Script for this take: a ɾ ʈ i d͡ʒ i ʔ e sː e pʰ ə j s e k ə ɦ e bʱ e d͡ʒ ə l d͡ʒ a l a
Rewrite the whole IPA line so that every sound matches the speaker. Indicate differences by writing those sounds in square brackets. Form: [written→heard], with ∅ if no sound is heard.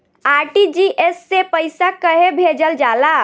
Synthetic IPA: a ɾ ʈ i d͡ʒ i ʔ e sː e [pʰ→p] ə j s [e→a] k ə ɦ e bʱ e d͡ʒ ə l d͡ʒ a l a